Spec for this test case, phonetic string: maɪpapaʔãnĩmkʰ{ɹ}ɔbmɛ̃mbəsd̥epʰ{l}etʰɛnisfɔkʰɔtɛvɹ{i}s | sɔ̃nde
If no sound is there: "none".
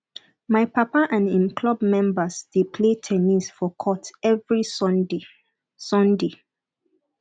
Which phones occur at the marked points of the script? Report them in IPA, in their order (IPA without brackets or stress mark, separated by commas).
l, l, i